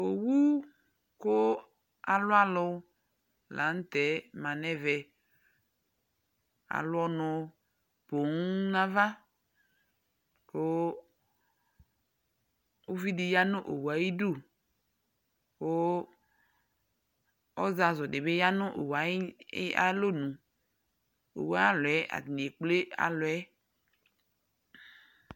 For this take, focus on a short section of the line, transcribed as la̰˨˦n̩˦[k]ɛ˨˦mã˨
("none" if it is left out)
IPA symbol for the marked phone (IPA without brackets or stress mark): t